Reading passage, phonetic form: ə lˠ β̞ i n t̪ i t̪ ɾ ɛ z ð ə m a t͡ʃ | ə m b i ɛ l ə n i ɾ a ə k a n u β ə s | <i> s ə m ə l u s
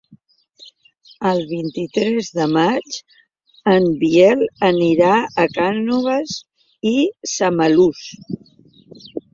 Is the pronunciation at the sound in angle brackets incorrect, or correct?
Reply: correct